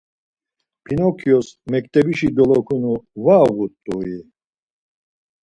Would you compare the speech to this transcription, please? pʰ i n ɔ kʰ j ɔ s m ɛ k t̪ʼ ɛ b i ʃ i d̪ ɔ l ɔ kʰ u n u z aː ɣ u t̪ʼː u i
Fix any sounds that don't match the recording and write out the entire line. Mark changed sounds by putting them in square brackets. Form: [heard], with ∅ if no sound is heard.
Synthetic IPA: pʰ i n ɔ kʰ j ɔ s m ɛ k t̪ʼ ɛ b i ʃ i d̪ ɔ l ɔ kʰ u n u [v] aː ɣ u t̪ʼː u i